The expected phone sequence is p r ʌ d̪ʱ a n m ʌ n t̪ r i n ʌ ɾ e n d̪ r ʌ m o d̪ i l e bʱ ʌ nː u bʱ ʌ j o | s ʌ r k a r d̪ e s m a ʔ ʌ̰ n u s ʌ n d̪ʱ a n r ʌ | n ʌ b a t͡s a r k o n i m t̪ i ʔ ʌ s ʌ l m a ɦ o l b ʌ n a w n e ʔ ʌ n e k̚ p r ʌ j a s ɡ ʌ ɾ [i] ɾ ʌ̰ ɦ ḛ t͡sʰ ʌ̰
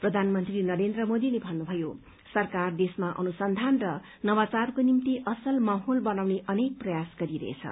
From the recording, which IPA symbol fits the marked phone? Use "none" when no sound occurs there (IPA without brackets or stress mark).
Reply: i